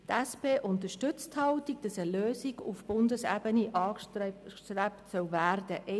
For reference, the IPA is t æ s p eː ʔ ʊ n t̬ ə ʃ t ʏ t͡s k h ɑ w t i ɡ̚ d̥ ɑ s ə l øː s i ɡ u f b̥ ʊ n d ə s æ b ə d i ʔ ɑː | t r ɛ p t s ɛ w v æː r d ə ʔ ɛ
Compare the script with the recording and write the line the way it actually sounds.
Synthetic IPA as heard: t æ s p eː ʔ ʊ n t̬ ə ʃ t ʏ t͡s t h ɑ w t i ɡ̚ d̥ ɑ s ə l øː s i ɡ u f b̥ ʊ n d ə s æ b ə n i ʔ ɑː | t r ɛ p t s œ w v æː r d ə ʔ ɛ